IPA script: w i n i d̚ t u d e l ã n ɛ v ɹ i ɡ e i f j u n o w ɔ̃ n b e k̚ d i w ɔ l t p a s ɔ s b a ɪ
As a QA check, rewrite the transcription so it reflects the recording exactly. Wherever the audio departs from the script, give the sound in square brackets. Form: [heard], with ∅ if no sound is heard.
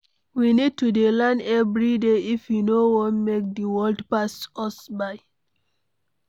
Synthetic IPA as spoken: w i n i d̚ t u d e l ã n ɛ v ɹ i [d] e i f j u n o w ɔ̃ n [m] e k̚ d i w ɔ l [d] p a s ɔ s b a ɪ